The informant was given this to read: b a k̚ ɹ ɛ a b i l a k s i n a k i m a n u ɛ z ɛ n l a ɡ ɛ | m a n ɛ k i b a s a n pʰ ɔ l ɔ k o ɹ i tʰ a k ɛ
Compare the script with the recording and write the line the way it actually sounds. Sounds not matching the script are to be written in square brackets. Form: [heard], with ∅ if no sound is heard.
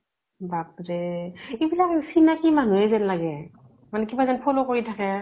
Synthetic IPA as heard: b a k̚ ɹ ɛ [i] b i l a k s i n a k i m a n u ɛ z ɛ n l a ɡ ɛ | m a n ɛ k i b a [z] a n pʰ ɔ l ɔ k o ɹ i tʰ a k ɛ